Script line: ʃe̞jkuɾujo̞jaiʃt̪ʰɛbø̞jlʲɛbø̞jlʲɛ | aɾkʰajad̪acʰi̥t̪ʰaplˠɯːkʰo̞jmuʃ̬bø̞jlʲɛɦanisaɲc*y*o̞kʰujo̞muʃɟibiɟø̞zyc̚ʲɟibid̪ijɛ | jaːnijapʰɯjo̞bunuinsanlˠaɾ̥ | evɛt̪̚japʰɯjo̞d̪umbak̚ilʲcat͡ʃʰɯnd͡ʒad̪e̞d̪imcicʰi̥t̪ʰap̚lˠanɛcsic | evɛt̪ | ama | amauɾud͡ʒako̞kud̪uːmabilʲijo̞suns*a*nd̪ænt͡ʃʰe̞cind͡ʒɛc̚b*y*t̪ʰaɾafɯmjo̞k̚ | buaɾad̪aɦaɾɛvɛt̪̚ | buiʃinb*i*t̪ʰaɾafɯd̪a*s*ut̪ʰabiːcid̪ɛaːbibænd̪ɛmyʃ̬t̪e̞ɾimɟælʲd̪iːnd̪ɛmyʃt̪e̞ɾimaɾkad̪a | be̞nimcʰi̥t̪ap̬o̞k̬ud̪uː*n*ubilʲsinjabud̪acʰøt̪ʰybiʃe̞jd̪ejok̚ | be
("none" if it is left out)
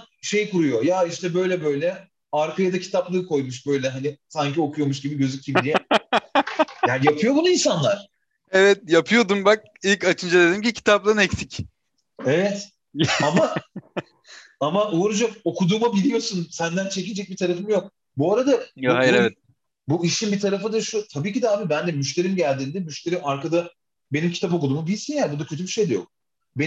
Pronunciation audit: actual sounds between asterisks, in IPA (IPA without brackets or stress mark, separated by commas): i, æ, i, i, ʃ, m